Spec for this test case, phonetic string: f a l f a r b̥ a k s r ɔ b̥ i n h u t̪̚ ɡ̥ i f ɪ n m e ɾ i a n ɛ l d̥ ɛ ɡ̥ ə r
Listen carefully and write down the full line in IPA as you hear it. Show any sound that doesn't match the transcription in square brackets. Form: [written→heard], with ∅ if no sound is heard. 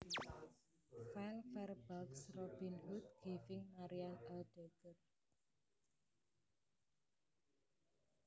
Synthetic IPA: f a l f [a→ɛ] r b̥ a k s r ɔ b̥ i n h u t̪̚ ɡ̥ i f ɪ [n→ŋ] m [e→a] ɾ i a n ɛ l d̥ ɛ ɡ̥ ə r